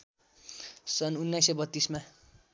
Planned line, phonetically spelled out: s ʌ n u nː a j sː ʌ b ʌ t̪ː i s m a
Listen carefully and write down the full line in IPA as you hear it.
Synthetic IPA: s ʌ n u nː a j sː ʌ b ʌ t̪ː i s m a